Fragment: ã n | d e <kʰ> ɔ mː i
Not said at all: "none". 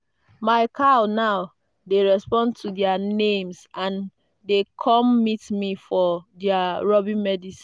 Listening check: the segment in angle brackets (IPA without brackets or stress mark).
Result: kʰ